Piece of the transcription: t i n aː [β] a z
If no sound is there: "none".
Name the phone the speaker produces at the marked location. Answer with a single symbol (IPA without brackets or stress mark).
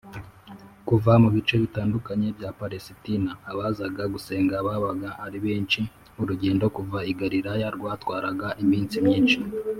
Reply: β